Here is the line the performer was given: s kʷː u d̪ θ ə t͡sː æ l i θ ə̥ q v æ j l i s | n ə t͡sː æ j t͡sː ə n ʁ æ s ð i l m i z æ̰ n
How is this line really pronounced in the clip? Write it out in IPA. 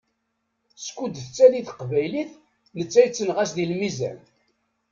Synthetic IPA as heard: s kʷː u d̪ θ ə t͡sː æ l i θ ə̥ q v æ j l i θ | n ə t͡sː æ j t͡sː ə n ʁ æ s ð i l m i z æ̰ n